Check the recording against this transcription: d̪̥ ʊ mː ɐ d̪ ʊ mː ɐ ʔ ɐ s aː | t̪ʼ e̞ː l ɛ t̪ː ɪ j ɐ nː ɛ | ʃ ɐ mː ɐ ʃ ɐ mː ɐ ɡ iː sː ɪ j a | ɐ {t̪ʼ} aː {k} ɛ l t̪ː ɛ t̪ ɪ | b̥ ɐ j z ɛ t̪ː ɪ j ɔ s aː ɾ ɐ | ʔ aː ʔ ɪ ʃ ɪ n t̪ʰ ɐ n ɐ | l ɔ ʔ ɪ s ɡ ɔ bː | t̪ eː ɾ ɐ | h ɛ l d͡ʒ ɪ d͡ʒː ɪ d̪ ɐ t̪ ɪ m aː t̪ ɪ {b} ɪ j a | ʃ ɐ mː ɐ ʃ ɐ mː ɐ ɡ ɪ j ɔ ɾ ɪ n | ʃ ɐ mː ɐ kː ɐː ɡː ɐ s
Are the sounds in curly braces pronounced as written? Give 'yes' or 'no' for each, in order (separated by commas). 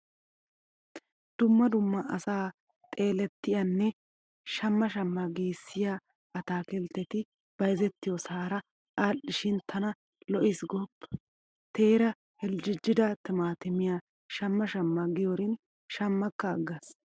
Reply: no, yes, no